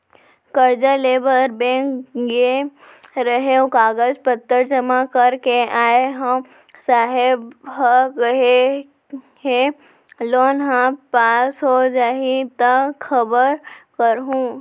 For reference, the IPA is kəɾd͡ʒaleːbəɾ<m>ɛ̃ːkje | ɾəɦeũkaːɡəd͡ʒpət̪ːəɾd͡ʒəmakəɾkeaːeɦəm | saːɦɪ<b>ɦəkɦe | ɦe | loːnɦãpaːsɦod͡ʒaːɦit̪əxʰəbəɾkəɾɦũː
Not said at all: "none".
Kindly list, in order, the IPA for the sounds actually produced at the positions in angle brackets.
b, b

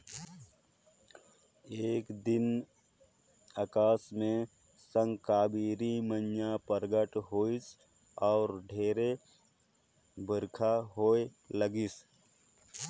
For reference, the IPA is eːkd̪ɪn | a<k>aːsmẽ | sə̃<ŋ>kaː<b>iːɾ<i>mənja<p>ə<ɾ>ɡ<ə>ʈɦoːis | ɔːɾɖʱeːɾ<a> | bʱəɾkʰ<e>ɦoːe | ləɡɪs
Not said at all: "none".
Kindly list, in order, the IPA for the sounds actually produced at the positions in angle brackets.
k, ŋ, b, i, p, ɾ, ə, e, a

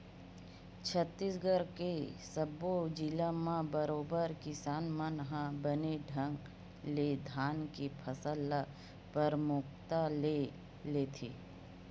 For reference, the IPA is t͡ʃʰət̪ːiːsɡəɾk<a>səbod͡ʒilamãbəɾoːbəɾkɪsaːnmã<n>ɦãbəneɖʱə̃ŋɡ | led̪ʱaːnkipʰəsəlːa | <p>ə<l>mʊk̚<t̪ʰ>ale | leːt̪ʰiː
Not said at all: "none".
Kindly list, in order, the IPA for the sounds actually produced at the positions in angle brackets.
e, n, p, ɾ, t̪

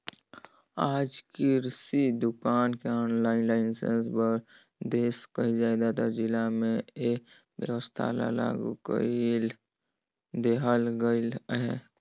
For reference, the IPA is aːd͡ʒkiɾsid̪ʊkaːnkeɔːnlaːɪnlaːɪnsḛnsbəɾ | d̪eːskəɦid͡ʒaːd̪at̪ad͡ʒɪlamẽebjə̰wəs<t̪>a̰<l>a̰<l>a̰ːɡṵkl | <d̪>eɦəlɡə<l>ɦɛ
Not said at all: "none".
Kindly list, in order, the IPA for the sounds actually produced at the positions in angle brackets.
t̪ʰ, l, l, d̪, l

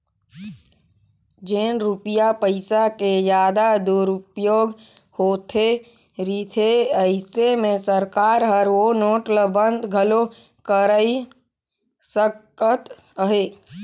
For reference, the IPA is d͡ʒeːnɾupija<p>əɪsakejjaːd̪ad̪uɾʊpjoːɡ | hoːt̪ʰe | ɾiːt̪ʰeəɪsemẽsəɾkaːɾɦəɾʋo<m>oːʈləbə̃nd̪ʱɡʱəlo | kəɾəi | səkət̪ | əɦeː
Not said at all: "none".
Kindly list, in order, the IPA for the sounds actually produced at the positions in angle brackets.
p, n

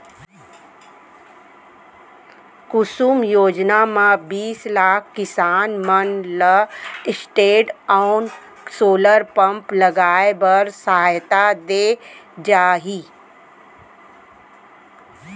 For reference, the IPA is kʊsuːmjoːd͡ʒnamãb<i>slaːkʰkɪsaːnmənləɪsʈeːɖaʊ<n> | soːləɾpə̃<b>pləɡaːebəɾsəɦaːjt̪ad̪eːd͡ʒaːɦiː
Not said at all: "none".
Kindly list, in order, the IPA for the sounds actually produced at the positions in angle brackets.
iː, n, m

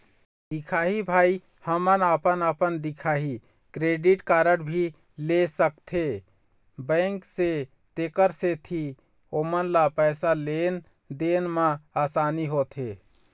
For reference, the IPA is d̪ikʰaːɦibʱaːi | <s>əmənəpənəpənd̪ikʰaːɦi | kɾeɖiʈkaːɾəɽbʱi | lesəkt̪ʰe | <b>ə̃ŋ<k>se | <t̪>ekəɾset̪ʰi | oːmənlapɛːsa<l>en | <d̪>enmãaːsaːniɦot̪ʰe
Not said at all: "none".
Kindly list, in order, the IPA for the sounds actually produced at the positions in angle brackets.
h, b, k, t̪, l, d̪

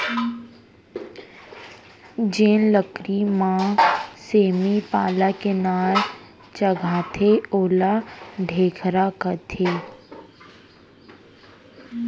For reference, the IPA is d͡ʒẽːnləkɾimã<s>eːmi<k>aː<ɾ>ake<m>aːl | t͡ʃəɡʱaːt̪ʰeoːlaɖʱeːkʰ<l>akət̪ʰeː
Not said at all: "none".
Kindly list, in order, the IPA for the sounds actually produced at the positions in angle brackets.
s, p, l, n, ɾ

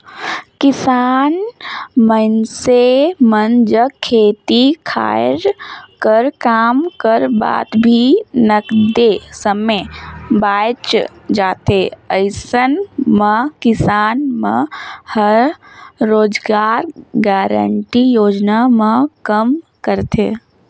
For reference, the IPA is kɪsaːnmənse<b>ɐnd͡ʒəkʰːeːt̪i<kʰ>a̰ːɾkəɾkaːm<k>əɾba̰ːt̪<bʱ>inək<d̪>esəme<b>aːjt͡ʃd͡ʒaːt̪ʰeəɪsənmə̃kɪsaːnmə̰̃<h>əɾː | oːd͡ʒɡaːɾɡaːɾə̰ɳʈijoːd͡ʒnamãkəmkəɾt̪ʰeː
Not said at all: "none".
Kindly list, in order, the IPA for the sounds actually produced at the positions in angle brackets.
m, kʰ, k, bʱ, d̪, b, h

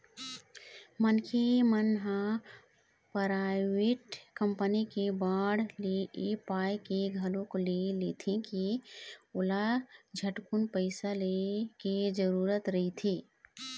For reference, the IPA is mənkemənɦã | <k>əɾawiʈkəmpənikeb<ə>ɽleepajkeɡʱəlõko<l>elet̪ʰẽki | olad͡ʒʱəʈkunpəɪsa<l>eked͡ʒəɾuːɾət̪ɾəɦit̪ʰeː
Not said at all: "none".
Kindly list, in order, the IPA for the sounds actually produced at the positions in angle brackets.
p, a, l, l

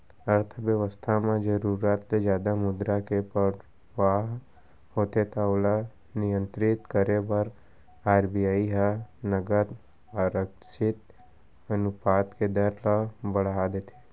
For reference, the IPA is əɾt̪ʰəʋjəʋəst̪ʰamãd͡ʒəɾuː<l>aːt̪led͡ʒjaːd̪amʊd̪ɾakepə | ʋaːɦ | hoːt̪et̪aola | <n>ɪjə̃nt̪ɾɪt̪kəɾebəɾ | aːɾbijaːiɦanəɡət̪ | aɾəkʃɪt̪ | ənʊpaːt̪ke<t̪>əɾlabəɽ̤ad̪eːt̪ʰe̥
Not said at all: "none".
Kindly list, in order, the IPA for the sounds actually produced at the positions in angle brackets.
ɾ, n, d̪

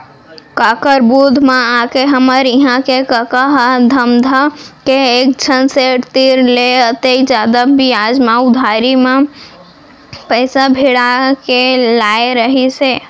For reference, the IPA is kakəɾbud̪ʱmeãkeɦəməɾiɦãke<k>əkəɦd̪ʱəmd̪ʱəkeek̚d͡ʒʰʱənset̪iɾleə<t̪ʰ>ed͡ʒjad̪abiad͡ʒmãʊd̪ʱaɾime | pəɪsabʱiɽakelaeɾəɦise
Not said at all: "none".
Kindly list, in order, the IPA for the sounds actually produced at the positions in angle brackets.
k, t̪

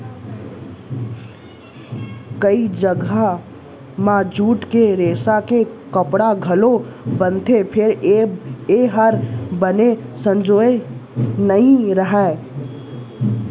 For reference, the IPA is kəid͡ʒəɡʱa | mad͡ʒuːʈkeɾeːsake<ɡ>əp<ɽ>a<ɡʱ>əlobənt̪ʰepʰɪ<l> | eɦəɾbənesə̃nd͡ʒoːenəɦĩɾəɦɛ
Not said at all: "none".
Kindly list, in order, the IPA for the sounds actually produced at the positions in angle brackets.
k, ɽ, ɡʱ, ɾ

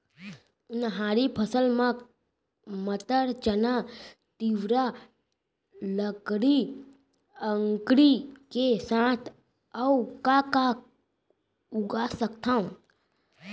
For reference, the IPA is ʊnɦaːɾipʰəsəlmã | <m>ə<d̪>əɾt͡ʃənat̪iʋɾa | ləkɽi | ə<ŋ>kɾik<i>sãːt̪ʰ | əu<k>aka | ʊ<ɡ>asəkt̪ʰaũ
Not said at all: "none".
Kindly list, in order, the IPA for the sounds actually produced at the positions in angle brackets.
m, t̪, ŋ, e, k, ɡ

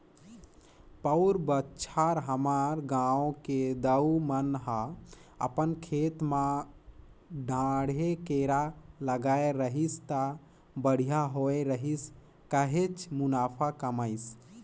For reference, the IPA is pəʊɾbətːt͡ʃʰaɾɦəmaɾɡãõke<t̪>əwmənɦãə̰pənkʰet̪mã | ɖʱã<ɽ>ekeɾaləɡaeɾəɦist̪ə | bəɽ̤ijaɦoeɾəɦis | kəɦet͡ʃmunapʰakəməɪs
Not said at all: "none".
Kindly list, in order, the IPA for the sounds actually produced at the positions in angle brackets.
d̪, ɽ

